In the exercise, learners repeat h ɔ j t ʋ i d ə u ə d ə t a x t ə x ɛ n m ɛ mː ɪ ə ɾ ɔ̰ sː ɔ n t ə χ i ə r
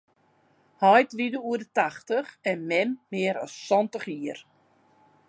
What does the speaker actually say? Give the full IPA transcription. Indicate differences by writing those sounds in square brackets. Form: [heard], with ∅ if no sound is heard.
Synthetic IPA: h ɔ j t ʋ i d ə u ə d ə t a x t ə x ɛ n m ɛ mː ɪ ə ɾ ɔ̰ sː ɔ n t ə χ i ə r